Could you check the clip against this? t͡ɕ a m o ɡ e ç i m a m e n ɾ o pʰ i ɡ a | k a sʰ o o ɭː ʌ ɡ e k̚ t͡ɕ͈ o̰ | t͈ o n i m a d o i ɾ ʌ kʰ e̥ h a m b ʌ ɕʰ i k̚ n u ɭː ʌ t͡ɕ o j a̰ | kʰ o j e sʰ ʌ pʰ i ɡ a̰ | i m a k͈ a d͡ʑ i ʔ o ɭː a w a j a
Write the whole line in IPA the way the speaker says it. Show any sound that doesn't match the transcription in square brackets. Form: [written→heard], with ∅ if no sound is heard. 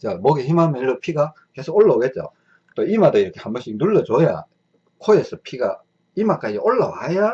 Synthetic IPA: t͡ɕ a m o ɡ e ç i m a m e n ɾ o pʰ i ɡ a | k [a→e] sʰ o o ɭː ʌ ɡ e [k̚→t̚] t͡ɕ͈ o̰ | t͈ o [n→∅] i m a d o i ɾ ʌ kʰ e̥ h a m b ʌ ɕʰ i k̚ n u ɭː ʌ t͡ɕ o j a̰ | kʰ o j e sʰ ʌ pʰ i ɡ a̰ | i m a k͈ a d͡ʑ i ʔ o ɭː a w a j a